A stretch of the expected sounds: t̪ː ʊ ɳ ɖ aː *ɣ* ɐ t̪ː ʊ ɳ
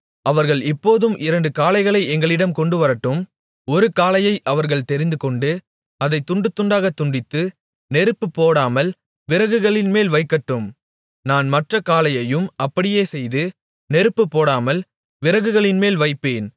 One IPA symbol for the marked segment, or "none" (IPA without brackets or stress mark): ɣ